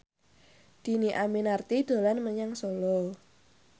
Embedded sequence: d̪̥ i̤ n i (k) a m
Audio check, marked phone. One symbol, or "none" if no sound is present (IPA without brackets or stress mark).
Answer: ʔ